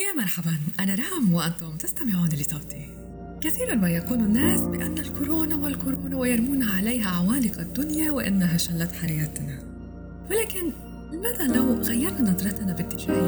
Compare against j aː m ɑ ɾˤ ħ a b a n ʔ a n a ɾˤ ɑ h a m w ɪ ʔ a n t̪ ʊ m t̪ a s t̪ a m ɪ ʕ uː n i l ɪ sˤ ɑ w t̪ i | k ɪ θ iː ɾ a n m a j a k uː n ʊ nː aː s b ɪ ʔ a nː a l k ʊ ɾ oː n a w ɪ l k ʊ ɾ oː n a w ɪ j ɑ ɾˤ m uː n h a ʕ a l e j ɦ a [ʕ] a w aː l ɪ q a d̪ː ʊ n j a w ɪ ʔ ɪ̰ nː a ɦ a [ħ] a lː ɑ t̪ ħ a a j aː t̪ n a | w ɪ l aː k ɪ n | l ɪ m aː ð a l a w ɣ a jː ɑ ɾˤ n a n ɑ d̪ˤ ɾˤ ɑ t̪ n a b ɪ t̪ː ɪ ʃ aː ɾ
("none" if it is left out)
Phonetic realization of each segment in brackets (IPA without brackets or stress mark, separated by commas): ʕ, ʃ